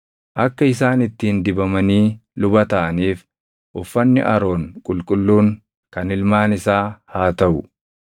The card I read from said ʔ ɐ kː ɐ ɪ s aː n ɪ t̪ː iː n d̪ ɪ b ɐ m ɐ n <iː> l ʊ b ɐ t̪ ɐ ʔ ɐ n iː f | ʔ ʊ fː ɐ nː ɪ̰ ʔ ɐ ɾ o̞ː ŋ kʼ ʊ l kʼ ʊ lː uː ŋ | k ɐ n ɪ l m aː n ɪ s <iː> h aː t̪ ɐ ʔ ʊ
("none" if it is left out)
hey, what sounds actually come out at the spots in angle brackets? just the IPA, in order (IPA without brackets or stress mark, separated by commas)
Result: iː, aː